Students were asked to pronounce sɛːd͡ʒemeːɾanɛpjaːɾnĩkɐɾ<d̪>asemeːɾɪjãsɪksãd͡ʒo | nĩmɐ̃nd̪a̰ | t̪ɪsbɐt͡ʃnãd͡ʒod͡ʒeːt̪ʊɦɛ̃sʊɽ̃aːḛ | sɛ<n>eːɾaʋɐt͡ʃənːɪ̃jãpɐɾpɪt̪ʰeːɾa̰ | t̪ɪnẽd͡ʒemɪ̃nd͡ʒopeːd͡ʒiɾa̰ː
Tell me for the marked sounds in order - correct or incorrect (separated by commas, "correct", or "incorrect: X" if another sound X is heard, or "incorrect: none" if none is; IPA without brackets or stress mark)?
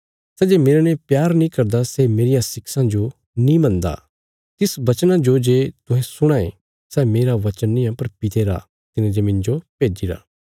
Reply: correct, incorrect: m